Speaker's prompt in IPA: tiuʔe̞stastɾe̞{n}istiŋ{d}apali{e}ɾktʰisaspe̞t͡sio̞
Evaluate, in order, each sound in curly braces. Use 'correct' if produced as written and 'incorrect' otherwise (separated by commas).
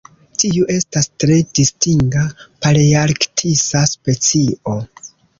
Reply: incorrect, incorrect, incorrect